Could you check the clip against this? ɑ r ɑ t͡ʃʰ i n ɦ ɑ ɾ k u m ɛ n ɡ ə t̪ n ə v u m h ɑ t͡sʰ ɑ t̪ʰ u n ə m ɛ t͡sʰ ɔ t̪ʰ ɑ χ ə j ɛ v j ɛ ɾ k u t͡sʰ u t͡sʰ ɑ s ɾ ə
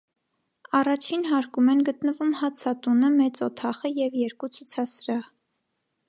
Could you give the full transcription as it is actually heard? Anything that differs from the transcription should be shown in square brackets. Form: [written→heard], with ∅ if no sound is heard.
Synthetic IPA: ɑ r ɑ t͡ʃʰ i n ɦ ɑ ɾ k u m ɛ n ɡ ə t̪ n ə v u m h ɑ t͡sʰ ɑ [t̪ʰ→t̪] u n ə m ɛ [t͡sʰ→t͡s] ɔ t̪ʰ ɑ χ ə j ɛ v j ɛ ɾ k u t͡sʰ u t͡sʰ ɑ s ɾ [ə→ɑ]